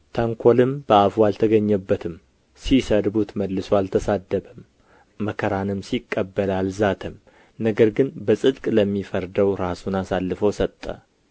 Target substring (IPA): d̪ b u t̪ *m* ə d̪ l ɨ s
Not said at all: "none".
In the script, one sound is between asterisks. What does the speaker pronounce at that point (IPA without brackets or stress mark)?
m